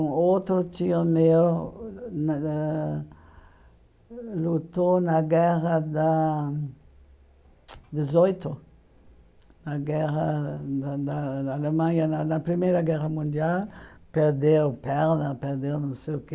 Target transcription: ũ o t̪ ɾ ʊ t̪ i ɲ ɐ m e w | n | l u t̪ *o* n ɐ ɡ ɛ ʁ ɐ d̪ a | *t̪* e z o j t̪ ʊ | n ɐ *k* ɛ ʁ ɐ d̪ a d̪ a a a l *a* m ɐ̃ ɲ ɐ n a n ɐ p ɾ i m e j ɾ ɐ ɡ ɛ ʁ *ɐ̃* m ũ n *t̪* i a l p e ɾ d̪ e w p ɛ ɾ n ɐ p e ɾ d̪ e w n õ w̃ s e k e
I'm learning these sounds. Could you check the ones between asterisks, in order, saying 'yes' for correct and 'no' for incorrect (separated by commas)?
yes, no, no, no, no, no